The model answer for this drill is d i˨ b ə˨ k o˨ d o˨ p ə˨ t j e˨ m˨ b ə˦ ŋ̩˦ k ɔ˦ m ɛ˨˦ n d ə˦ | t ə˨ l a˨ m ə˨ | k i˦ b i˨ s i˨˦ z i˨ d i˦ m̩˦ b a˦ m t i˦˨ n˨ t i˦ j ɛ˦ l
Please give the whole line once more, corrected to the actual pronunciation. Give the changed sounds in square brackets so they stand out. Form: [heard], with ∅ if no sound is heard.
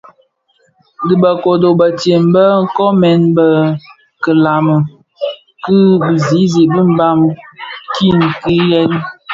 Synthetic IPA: d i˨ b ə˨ k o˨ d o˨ [b] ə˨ t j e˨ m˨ b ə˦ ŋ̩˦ k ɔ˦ m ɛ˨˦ n [b] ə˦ | [k] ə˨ l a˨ m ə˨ | k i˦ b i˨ [z] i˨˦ z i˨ [b] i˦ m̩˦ b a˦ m [k] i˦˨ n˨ [k] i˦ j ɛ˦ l